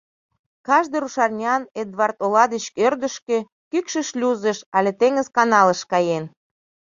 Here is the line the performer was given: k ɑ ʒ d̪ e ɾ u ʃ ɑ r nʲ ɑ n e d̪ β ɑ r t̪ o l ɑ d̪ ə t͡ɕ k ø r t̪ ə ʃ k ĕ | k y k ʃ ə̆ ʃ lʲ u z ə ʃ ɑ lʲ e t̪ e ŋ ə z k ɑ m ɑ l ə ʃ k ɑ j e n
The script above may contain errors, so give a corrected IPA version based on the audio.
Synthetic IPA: k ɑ ʒ d̪ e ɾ u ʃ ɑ r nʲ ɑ n e d̪ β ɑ r t̪ o l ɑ d̪ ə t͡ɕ k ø r d̪ ə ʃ k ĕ | k y k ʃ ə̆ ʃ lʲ u z ə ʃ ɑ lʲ e t̪ e ŋ ə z k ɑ n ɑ l ə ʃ k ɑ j e n